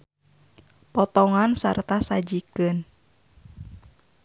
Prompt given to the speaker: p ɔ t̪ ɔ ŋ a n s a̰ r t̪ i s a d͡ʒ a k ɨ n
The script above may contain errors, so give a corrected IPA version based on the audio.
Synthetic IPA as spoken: p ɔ t̪ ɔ ŋ a n s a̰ r t̪ a s a d͡ʒ i k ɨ n